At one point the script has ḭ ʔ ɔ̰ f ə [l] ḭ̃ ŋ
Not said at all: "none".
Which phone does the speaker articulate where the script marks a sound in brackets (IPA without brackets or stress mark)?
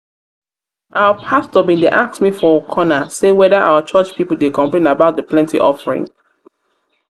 ɹ